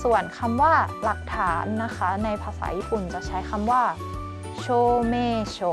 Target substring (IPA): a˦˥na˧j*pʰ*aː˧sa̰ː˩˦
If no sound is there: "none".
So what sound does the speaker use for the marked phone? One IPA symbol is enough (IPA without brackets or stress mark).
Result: pʰ